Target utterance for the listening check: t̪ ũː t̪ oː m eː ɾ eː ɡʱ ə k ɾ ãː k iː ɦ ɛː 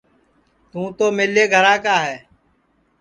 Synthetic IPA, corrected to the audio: t̪ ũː t̪ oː m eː l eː ɡʱ ə ɾ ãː k aː ɦ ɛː